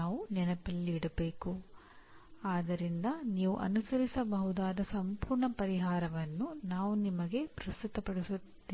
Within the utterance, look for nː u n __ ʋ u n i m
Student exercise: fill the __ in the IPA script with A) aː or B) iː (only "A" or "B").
A